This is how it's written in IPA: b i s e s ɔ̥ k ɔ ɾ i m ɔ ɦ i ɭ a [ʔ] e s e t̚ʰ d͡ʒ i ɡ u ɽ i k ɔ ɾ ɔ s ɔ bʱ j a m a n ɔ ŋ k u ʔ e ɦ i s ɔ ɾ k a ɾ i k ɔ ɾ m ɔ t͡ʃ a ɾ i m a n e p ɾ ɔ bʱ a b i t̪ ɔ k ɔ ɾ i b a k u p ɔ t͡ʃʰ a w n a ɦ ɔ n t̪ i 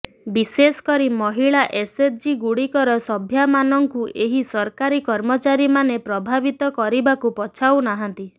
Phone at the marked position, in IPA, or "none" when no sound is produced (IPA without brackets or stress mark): ʔ